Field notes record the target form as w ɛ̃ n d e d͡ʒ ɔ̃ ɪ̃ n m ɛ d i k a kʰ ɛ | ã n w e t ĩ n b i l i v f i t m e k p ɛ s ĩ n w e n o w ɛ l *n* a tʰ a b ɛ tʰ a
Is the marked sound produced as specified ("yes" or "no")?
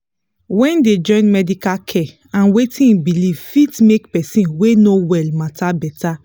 no